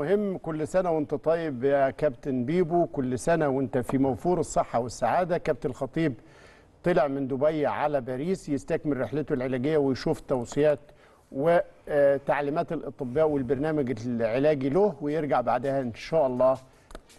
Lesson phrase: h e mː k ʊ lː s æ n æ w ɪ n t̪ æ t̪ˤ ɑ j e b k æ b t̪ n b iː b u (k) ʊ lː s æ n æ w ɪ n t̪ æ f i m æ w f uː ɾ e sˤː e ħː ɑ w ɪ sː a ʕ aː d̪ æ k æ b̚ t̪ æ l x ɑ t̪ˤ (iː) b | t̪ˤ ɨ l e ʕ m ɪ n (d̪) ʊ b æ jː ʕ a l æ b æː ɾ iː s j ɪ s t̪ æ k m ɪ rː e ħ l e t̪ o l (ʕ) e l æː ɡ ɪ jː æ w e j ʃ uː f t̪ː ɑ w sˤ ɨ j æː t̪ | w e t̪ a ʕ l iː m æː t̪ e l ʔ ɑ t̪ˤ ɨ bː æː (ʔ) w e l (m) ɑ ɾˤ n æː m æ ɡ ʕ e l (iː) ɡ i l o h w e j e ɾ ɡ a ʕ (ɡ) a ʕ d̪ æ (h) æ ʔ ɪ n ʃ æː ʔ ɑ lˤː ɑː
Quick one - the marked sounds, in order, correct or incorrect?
correct, correct, correct, correct, correct, incorrect: b, incorrect: æː, incorrect: b, correct

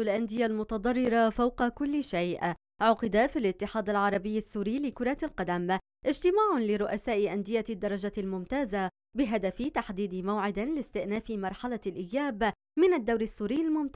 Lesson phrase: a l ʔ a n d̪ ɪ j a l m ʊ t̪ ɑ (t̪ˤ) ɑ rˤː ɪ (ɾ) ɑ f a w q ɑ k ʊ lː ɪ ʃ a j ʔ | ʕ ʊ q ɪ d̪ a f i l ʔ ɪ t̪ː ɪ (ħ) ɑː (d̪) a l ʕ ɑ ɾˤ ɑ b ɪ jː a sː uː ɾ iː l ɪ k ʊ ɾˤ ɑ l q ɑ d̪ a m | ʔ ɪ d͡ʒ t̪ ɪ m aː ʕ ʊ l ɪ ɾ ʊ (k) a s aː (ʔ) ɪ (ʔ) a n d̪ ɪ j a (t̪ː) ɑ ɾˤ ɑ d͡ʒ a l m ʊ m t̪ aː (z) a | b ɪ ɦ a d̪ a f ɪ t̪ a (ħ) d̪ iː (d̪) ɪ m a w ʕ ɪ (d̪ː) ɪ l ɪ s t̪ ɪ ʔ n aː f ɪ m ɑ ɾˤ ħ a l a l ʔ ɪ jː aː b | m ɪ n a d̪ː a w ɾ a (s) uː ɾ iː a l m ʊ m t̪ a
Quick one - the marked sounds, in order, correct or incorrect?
incorrect: d̪ˤ, correct, correct, correct, incorrect: ʔ, correct, correct, incorrect: d̪ː, correct, correct, correct, incorrect: d̪, incorrect: sː

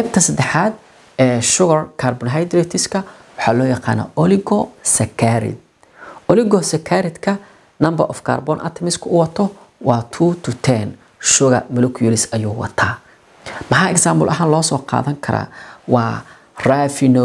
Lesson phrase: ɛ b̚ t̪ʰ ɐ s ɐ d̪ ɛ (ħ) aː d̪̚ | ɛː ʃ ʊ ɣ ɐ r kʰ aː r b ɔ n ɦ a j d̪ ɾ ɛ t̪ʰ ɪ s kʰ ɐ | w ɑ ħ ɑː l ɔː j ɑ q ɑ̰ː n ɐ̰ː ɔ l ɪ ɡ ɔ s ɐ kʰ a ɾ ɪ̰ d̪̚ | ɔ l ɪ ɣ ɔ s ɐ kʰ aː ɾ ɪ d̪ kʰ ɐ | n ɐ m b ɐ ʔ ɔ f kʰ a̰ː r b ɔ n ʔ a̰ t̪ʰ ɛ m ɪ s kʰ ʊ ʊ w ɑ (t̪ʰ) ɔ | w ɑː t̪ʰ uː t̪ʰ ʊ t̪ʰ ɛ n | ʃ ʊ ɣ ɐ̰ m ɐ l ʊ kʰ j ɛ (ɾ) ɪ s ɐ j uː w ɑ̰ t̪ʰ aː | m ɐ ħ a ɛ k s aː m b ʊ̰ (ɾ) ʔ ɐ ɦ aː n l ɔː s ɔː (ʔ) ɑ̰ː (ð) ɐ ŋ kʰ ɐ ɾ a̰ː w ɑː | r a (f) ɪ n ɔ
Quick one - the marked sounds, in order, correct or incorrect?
correct, correct, incorrect: l, incorrect: l, incorrect: q, correct, correct

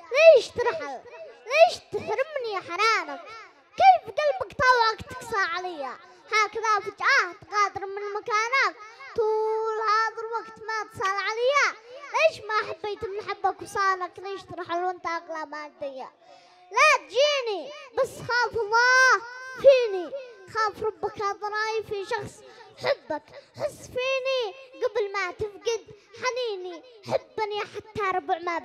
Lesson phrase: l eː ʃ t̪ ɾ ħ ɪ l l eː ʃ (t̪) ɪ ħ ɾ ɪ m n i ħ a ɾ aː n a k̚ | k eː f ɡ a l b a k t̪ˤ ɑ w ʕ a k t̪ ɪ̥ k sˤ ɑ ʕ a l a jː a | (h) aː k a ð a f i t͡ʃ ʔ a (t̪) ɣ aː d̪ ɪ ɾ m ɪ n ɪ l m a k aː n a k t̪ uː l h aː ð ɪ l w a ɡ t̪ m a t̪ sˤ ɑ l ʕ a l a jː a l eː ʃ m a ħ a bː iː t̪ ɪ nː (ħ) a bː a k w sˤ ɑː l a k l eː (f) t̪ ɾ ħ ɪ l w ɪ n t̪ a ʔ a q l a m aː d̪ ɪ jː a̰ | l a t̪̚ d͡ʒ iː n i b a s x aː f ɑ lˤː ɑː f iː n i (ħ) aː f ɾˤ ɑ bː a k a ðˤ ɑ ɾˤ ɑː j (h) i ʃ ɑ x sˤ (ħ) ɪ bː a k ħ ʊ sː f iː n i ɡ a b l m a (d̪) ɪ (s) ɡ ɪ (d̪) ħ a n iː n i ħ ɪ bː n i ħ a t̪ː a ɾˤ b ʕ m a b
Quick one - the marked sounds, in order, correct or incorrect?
correct, correct, correct, correct, incorrect: ʃ, incorrect: x, incorrect: f, correct, incorrect: t̪, incorrect: f, correct

